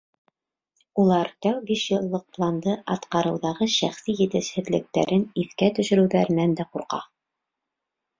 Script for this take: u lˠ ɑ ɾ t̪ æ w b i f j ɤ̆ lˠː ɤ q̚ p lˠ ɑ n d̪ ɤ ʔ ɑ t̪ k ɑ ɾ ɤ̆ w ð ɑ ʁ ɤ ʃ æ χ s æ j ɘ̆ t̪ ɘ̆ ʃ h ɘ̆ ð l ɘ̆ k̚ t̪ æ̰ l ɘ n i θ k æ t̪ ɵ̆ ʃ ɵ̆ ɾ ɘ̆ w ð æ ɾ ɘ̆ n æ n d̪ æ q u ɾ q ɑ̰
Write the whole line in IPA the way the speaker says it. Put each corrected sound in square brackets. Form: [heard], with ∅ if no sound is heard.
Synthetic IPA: u lˠ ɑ ɾ t̪ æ w b i [ʃ] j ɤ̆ lˠː ɤ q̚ p lˠ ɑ n d̪ ɤ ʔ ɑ t̪ [q] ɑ ɾ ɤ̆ w ð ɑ ʁ ɤ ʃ æ χ s [i] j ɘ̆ t̪ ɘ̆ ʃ h ɘ̆ ð l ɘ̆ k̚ t̪ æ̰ [ɾ] ɘ n i θ k æ t̪ ɵ̆ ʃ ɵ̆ ɾ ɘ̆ w ð æ ɾ ɘ̆ n æ n d̪ æ q u ɾ q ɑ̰